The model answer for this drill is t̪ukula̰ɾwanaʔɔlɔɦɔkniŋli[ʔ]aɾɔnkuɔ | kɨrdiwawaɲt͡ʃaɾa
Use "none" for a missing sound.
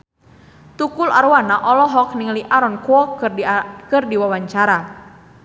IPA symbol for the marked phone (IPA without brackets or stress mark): ʔ